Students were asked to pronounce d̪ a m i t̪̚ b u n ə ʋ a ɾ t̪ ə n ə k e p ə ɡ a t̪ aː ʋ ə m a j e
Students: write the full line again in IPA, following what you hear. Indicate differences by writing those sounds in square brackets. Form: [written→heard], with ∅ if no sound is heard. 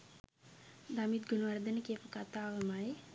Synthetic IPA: d̪ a m i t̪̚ [b→ɡ] u n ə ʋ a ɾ [t̪→d̪] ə n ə k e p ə [ɡ→k] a t̪ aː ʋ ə m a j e